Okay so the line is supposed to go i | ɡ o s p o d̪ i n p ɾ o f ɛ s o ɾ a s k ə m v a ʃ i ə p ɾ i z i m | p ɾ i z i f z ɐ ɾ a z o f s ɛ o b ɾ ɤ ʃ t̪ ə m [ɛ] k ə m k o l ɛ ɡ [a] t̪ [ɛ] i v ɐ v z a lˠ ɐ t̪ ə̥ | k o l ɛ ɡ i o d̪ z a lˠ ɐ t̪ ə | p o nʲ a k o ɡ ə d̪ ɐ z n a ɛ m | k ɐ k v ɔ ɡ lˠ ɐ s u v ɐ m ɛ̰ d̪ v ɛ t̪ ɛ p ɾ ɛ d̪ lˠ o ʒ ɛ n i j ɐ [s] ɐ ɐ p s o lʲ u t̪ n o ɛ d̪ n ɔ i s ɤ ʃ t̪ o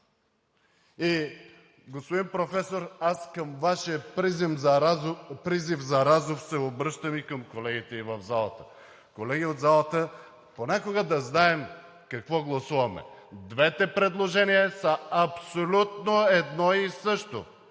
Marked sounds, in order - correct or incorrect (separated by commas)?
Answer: incorrect, incorrect, correct, correct